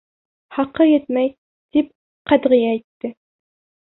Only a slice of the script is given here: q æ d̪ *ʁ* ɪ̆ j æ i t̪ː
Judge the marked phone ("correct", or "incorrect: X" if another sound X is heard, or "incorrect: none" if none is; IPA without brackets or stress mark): correct